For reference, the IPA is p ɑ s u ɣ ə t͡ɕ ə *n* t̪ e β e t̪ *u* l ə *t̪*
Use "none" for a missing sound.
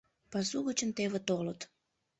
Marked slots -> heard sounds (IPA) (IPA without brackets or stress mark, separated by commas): n, o, t̪